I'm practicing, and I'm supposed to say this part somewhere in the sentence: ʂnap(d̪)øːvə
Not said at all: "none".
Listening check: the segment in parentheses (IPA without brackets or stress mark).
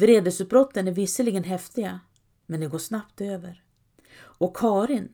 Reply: t̪